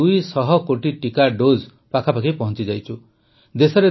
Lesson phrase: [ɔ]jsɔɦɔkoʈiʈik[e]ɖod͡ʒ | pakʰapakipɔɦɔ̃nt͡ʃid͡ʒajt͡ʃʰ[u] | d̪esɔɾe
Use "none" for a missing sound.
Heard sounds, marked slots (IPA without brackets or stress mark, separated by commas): u, a, u